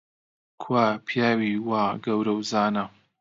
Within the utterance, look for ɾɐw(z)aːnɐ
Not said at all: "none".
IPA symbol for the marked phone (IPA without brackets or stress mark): z